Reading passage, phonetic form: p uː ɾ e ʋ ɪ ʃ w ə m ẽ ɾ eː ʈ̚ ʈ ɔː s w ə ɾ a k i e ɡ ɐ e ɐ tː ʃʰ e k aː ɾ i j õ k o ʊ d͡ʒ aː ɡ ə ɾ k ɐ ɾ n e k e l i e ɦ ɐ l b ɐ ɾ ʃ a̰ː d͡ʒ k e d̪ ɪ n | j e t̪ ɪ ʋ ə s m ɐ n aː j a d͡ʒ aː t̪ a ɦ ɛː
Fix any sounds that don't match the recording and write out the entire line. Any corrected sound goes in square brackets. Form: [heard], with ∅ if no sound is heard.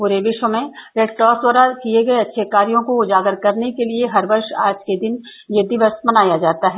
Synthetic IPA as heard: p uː ɾ e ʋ ɪ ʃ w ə m ẽ ɾ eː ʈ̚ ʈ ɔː s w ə ɾ a k i e ɡ ɐ e ɐ tː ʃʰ e k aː ɾ i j õ k o ʊ d͡ʒ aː ɡ ə ɾ k ɐ ɾ n e k e l i e ɦ ɐ [ɾ] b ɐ ɾ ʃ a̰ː d͡ʒ k e d̪ ɪ n | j e [d̪] ɪ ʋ ə s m ɐ n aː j a d͡ʒ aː t̪ a ɦ ɛː

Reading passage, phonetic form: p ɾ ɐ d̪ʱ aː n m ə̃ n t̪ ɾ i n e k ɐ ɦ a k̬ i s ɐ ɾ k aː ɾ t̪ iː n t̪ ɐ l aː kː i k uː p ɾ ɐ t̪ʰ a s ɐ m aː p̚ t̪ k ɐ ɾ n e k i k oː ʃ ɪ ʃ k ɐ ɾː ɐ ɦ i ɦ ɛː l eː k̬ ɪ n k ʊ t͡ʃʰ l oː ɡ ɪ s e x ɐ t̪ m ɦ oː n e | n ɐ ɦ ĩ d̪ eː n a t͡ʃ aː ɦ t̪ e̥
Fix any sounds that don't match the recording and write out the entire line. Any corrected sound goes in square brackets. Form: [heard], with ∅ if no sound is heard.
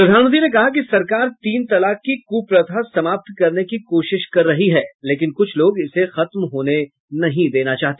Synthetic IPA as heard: p ɾ ɐ d̪ʱ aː n m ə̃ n t̪ ɾ i n e k ɐ ɦ a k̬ i s ɐ ɾ k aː ɾ t̪ iː n t̪ ɐ l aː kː i k uː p ɾ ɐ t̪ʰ a s ɐ m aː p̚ t̪ k ɐ ɾ n e k i k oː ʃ ɪ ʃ k ɐ ɾː ɐ ɦ i ɦ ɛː l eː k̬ ɪ n k ʊ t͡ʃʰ l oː ɡ ɪ s e x ɐ t̪ m ɦ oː n e | n ɐ ɦ ĩ d̪ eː n a t͡ʃ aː ɦ t̪ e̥

